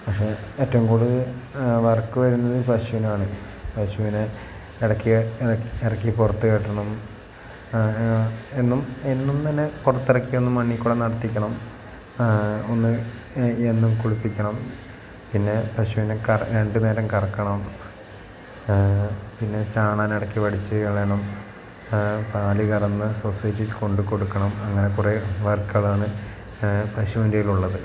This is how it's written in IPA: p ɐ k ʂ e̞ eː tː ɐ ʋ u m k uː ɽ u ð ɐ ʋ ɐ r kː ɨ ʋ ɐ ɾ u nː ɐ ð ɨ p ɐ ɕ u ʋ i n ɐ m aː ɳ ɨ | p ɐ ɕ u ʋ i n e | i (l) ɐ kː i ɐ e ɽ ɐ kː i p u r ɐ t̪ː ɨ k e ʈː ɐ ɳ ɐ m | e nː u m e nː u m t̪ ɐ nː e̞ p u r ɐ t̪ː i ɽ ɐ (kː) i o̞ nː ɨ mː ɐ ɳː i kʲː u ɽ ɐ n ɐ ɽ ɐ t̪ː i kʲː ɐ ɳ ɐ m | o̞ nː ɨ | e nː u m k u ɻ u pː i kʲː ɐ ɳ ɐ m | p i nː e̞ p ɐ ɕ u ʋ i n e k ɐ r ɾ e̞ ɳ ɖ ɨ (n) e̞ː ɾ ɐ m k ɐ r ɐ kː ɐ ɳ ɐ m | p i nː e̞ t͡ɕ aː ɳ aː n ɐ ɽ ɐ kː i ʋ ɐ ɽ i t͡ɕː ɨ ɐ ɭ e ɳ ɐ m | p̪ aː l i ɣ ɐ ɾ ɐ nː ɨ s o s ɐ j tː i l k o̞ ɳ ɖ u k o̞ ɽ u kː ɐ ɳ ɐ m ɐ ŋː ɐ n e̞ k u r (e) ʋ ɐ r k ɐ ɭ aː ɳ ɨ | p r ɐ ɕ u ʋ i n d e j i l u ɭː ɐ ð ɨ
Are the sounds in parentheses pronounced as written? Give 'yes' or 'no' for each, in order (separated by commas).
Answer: no, yes, yes, yes